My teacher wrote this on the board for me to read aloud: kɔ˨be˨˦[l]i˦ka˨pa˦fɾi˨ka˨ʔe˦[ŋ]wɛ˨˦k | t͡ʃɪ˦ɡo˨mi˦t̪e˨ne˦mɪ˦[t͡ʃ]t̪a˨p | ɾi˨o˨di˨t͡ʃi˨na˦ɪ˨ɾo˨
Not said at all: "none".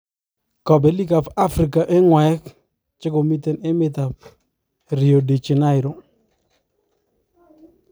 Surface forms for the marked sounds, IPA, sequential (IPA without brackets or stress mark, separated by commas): l, ŋ, none